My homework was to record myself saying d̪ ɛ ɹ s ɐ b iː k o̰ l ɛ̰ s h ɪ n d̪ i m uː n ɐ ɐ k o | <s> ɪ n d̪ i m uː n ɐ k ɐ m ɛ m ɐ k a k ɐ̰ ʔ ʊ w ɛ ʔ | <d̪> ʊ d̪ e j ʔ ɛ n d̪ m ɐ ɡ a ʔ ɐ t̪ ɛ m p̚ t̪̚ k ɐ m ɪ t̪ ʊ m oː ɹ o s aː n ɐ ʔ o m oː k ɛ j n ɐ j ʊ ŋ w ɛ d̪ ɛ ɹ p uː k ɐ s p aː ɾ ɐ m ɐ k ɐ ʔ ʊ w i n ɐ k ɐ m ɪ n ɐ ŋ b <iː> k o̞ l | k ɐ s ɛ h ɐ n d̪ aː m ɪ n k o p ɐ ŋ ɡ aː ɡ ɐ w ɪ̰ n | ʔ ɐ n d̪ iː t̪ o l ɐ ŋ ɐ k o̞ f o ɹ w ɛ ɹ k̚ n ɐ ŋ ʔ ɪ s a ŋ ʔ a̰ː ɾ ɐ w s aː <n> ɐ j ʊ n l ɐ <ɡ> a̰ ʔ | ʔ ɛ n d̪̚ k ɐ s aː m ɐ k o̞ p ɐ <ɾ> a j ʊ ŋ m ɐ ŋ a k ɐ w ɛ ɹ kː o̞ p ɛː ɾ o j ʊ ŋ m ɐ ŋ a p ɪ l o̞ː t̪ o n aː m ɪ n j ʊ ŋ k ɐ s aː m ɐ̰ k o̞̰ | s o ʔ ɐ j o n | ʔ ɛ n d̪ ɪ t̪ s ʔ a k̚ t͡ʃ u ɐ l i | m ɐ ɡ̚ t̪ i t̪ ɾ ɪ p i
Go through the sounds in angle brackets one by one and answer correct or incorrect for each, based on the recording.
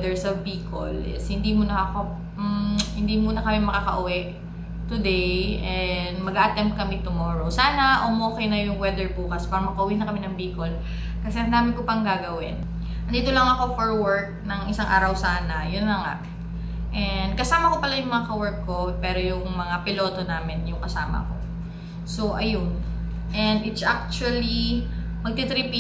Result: incorrect: h, incorrect: t̪, correct, correct, incorrect: ŋ, incorrect: l

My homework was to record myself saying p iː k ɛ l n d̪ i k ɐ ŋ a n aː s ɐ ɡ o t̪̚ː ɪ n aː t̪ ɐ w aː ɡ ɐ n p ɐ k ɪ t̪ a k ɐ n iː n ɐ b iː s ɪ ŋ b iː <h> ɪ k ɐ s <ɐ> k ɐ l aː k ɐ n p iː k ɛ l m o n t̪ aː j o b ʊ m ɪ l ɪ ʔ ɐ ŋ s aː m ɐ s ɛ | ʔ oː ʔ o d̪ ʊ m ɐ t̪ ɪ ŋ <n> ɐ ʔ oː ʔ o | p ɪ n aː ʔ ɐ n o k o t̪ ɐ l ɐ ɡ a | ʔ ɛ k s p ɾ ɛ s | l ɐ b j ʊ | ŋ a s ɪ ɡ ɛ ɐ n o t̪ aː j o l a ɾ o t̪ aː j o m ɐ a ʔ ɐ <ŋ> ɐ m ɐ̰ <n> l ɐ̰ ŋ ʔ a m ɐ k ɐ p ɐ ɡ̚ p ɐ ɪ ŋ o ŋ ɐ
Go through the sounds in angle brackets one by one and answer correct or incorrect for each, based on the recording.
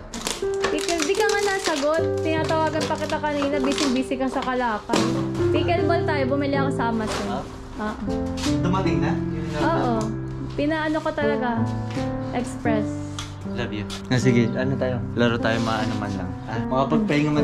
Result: incorrect: s, correct, correct, incorrect: n, correct

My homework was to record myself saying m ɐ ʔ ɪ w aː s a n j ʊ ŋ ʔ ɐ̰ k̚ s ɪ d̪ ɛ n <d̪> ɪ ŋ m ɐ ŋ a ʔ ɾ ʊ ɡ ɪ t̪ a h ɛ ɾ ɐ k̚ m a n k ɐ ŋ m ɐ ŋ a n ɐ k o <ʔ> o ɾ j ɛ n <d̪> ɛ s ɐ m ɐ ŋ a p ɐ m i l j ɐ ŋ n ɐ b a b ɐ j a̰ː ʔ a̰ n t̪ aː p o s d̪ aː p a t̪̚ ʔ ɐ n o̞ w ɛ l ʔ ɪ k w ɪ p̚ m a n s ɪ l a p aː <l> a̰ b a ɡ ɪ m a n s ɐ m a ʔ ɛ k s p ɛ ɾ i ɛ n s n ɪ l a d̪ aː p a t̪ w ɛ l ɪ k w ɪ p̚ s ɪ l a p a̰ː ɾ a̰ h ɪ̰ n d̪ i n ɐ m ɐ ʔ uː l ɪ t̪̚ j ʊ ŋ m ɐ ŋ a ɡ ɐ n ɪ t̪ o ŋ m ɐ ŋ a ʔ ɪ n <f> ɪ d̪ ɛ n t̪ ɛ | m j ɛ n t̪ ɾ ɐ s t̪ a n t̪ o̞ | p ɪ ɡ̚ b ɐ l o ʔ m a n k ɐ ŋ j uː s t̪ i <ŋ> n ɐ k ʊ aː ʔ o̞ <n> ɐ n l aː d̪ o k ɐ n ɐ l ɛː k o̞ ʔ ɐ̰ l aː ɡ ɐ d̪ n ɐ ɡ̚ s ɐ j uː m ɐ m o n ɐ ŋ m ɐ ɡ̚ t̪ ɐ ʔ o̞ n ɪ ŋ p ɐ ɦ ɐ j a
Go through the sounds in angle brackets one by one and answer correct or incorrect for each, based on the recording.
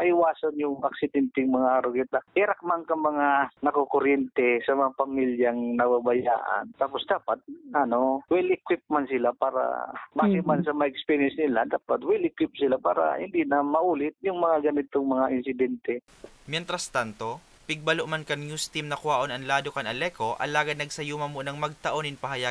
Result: incorrect: t̪, incorrect: k, incorrect: t̪, incorrect: ɾ, incorrect: s, incorrect: m, correct

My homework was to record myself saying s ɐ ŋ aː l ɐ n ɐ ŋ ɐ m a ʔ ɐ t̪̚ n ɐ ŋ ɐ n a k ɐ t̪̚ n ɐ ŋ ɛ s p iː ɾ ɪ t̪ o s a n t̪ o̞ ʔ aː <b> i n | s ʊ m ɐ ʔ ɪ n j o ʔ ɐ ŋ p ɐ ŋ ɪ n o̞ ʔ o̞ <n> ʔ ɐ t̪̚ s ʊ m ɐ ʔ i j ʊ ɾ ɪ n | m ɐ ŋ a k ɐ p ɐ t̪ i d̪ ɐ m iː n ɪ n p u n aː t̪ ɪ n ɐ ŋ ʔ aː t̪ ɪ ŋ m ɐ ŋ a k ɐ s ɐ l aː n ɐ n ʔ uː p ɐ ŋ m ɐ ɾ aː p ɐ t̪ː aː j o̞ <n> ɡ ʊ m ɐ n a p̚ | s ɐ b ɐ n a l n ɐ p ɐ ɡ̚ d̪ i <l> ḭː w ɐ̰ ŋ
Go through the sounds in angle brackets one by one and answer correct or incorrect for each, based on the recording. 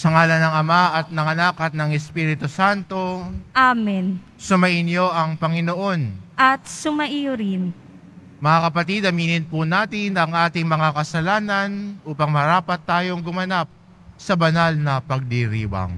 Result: incorrect: m, correct, incorrect: ŋ, incorrect: ɾ

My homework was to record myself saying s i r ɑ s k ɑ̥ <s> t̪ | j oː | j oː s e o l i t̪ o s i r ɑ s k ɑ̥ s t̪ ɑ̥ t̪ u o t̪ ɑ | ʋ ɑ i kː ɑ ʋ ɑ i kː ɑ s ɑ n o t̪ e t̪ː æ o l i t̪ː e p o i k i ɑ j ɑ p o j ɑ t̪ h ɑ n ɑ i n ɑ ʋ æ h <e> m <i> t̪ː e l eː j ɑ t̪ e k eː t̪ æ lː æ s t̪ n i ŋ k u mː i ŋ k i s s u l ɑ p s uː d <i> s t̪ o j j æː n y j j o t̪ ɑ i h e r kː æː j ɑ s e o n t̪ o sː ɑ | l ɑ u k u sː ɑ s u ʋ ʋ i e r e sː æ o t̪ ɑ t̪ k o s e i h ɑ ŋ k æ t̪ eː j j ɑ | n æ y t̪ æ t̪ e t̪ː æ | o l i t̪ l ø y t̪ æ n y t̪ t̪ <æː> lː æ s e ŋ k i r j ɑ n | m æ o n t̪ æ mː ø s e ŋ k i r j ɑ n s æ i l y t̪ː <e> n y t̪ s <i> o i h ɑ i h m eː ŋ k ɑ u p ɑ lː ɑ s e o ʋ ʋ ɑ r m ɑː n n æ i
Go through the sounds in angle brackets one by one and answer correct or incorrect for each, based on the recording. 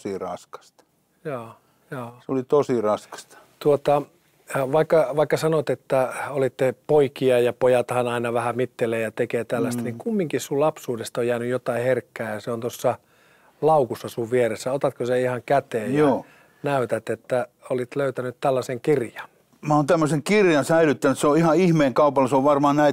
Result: correct, incorrect: æ, correct, incorrect: e, incorrect: æ, incorrect: æ, incorrect: e

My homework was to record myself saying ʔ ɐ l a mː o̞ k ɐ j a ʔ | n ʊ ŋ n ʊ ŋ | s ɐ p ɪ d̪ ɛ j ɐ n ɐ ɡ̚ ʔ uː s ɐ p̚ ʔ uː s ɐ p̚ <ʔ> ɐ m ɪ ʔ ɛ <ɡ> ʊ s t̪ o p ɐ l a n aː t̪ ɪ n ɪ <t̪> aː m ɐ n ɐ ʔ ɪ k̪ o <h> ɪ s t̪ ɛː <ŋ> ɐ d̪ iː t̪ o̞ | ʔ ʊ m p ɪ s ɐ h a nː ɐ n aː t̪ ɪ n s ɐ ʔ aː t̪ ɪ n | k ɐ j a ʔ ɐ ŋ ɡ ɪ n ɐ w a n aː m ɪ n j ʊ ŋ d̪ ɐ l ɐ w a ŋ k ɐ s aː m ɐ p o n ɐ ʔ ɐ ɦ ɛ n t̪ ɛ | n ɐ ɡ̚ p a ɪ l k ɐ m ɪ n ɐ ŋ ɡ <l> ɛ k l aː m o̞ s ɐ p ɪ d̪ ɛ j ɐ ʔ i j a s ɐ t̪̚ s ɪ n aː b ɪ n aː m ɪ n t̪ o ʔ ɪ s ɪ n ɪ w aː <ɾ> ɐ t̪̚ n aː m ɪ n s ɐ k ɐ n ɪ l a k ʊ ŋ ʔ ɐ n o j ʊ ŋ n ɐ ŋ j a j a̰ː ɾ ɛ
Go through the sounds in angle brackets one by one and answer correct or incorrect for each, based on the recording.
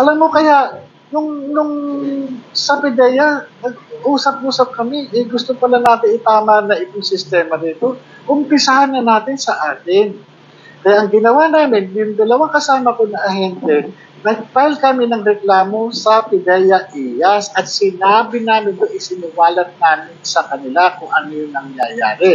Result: incorrect: k, correct, correct, incorrect: s, incorrect: m, incorrect: ɾ, incorrect: l

